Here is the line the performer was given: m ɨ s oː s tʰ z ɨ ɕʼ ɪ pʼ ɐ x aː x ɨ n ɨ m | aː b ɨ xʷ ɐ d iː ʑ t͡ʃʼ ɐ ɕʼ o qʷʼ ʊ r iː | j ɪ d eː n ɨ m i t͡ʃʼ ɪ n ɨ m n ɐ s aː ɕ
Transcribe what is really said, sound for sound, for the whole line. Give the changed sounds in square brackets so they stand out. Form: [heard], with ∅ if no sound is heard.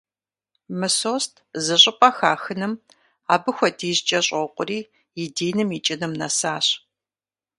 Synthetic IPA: m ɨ s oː s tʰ z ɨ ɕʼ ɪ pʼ ɐ x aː x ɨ n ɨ m | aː b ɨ xʷ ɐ d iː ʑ t͡ʃʼ ɐ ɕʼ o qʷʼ ʊ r iː | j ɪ d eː n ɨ m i t͡ʃʼ ɪ n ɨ m n ɐ s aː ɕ